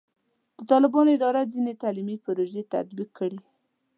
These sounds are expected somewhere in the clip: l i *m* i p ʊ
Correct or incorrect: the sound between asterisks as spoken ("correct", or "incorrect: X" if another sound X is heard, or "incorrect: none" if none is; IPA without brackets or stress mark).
correct